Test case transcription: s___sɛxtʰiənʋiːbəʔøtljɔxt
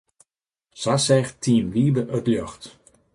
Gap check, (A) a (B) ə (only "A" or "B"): A